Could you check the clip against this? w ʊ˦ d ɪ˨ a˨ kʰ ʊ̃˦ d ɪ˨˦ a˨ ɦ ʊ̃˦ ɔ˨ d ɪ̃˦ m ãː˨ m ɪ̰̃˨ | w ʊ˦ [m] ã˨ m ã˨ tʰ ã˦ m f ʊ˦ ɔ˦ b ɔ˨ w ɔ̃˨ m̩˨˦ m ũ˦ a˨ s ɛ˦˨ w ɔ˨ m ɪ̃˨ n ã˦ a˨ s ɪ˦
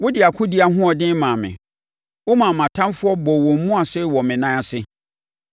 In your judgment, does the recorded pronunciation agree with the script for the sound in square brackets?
yes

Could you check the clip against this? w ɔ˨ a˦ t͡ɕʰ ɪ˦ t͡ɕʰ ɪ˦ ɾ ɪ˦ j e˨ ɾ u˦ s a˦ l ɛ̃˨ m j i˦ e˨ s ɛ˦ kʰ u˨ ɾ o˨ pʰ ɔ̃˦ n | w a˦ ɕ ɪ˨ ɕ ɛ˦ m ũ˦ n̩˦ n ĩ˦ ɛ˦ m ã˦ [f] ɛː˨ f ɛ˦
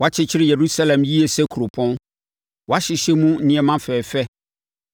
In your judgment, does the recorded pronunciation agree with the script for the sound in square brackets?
yes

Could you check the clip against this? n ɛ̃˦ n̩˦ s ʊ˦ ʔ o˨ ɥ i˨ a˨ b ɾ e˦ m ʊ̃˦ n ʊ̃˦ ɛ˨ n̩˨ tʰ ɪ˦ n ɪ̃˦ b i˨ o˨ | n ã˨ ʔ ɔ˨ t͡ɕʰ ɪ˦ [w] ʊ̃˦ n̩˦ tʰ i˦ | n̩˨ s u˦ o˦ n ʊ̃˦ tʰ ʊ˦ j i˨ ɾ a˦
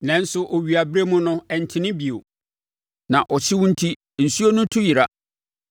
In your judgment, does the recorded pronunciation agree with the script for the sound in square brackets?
yes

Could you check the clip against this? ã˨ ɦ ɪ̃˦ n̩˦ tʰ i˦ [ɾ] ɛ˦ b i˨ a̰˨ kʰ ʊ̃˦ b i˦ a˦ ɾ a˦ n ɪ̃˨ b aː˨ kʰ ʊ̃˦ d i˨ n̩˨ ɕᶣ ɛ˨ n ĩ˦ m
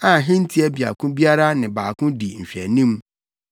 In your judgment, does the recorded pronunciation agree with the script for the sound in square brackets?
no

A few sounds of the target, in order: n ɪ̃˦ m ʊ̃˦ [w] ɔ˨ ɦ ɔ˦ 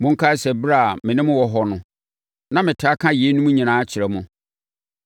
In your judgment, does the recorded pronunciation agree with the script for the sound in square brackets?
yes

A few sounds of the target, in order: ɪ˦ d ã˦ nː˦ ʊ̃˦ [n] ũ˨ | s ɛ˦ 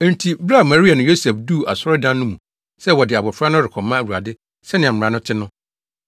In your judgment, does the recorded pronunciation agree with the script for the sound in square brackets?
no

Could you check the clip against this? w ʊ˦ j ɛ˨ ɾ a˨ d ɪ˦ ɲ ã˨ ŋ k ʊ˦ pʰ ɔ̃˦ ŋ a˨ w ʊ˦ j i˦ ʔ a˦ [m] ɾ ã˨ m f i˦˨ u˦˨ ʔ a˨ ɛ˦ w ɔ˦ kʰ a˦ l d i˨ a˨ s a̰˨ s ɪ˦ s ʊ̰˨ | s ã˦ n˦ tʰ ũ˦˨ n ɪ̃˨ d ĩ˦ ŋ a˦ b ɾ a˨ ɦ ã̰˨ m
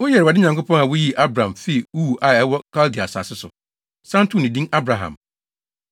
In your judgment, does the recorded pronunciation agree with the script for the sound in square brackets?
no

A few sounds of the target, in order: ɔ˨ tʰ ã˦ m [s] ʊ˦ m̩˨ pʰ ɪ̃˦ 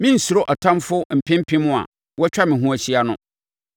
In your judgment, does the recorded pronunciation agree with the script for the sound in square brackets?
no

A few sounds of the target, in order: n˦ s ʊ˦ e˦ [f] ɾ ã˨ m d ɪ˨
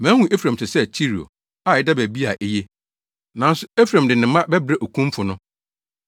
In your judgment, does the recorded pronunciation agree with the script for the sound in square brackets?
yes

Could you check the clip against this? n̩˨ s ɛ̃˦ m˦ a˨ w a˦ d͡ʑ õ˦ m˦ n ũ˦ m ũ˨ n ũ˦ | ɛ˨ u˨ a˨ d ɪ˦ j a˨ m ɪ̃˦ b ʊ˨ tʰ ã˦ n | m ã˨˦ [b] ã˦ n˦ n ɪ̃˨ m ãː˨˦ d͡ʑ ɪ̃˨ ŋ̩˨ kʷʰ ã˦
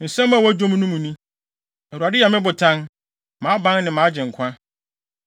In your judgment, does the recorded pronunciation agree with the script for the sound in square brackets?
yes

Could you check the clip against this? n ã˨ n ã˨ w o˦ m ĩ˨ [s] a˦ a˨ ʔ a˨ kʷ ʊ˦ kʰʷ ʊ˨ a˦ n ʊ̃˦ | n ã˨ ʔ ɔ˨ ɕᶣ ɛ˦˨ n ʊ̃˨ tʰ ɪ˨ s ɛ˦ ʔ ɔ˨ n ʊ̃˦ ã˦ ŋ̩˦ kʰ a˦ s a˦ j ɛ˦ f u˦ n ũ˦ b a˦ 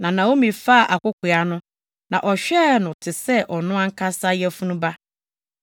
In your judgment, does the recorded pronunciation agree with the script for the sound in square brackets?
no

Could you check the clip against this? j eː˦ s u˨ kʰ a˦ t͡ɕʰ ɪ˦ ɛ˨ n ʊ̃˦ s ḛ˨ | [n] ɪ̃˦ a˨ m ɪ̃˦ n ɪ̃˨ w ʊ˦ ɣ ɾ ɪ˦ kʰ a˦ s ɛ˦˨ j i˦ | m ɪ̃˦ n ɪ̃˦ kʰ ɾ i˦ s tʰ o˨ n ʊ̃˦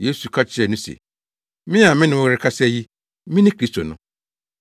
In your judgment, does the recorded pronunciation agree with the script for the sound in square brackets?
no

